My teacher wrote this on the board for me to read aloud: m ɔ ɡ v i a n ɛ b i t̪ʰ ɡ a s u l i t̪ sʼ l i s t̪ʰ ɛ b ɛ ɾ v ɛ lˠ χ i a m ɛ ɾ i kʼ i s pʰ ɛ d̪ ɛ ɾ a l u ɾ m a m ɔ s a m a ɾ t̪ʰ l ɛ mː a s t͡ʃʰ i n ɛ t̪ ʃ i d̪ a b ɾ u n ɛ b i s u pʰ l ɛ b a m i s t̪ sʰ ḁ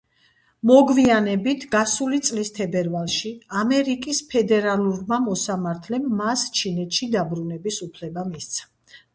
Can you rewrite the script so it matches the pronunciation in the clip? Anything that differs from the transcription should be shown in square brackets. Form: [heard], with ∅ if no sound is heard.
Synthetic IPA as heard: m ɔ ɡ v i a n ɛ b i t̪ʰ ɡ a s u l i t̪ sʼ l i s t̪ʰ ɛ b ɛ ɾ v [a] lˠ [ʃ] i a m ɛ ɾ i kʼ i s pʰ ɛ d̪ ɛ ɾ a l u ɾ m a m ɔ s a m a ɾ t̪ʰ l ɛ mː a s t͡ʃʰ i n ɛ t̪ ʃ i d̪ a b ɾ u n ɛ b i s u pʰ l ɛ b a m i s t̪ sʰ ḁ